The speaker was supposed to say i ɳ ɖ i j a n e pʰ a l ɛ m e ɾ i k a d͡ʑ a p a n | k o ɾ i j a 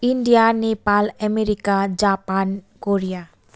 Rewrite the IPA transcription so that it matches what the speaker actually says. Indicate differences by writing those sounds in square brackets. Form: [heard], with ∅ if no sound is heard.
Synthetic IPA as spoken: i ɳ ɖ i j a n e [p] a l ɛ m e ɾ i k a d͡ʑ a p a n | k o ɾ i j a